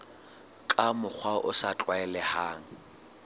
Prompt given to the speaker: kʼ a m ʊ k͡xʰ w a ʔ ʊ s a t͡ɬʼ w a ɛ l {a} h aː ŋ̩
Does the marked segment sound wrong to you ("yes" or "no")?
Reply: yes